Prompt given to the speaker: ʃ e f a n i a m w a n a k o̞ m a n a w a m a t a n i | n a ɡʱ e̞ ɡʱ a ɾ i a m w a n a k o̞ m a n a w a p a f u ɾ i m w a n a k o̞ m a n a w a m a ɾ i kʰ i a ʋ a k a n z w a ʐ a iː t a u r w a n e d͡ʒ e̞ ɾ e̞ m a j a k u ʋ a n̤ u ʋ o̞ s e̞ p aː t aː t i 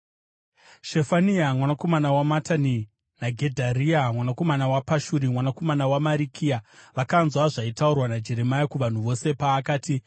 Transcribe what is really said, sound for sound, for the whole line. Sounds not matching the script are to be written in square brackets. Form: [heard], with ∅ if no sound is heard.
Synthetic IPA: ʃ e f a n i a m w a n a k o̞ m a n a w a m a t a n i | n a ɡʱ e̞ [dʱ] a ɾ i a m w a n a k o̞ m a n a w a p a [ʃ] u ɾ i m w a n a k o̞ m a n a w a m a ɾ i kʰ i a ʋ a k a n z w a ʐ a [i] t a u r w a n [a] d͡ʒ e̞ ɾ e̞ m a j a k u ʋ a n̤ u ʋ o̞ s e̞ p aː [k] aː t i